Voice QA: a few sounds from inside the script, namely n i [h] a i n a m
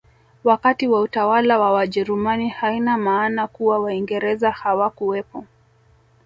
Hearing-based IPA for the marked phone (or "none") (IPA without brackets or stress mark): h